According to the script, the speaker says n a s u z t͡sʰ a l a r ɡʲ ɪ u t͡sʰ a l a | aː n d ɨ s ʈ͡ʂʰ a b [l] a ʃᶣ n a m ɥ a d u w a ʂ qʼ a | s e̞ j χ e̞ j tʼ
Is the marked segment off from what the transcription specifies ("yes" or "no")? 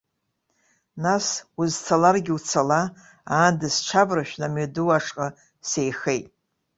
yes